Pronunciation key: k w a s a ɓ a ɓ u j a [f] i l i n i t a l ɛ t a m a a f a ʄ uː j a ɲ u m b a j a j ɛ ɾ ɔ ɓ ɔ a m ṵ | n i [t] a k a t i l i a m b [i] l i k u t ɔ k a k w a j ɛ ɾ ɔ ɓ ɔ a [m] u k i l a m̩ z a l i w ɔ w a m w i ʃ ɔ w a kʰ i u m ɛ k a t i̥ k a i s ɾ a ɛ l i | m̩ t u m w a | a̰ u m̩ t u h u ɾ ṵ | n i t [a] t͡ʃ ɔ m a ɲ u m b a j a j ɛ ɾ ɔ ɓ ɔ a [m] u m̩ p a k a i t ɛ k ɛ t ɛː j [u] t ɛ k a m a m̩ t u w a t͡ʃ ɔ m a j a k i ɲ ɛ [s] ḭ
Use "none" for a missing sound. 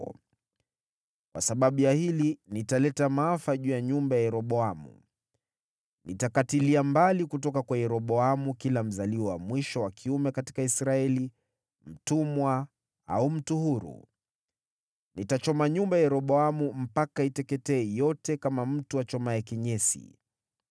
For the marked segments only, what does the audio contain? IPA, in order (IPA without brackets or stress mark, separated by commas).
h, t, a, m, a, m, ɔ, s